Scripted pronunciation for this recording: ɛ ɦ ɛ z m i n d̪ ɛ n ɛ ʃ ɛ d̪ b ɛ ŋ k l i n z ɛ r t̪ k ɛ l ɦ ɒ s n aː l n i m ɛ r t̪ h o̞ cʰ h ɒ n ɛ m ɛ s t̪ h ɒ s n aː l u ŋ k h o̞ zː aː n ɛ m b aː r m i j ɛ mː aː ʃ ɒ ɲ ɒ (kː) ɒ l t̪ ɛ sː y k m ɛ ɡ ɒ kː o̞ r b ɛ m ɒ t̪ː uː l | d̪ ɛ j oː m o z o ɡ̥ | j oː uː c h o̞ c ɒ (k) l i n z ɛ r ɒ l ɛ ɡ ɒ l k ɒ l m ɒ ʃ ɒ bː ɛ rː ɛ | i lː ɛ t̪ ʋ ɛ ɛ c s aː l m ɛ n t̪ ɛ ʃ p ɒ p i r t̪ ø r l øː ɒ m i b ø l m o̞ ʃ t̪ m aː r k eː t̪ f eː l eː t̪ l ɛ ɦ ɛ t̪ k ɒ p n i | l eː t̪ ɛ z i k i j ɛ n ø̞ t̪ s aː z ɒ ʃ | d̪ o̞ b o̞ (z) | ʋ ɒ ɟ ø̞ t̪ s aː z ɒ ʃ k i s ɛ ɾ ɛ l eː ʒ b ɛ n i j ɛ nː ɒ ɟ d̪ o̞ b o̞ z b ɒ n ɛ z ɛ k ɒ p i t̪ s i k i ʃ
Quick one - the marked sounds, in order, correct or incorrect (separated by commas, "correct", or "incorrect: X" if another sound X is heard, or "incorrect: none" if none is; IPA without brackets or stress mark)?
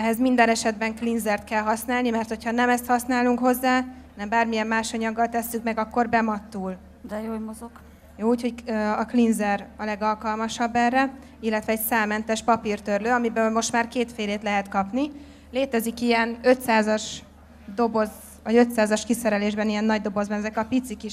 incorrect: ɡː, correct, correct